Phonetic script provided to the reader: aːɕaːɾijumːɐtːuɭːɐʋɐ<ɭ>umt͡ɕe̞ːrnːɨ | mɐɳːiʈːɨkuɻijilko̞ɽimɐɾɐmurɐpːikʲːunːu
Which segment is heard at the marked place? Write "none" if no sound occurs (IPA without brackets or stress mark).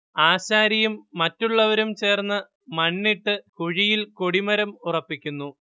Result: ɾ